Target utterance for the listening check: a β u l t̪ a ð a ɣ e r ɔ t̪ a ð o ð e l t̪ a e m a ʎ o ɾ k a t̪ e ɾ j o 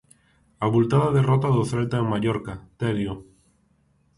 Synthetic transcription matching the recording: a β u l t̪ a ð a ð e r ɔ t̪ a ð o θ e l t̪ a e m a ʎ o ɾ k a t̪ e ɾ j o